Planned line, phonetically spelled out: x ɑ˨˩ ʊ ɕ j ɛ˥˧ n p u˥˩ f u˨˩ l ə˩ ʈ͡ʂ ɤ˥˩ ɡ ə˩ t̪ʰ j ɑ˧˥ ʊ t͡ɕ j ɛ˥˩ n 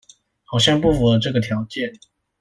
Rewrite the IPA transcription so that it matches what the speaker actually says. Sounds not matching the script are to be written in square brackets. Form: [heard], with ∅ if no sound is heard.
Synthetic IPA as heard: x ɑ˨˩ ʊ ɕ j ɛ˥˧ n p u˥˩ f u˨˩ l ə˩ ʈ͡ʂ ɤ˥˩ ɡ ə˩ t̪ʰ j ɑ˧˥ ʊ t͡ɕ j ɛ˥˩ n